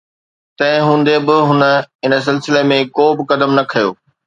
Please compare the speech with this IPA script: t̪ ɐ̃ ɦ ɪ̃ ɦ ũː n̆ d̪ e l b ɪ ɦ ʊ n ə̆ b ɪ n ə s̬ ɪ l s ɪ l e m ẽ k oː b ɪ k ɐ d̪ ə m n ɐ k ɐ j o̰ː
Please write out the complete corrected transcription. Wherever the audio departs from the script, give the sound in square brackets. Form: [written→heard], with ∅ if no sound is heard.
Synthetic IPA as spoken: t̪ ɐ̃ ɦ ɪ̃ ɦ ũː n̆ d̪ e [l→∅] b ɪ ɦ ʊ n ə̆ [b→∅] ɪ n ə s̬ ɪ l s ɪ l e m ẽ k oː b ɪ k ɐ d̪ ə m n ɐ [k→kʰ] ɐ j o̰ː